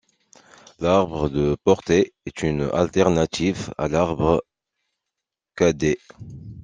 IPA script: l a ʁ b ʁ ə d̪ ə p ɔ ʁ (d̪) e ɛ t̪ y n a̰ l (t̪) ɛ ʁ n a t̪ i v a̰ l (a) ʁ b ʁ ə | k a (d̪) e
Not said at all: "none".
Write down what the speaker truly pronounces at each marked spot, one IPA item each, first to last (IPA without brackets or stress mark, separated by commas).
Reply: t̪, t̪, a, d̪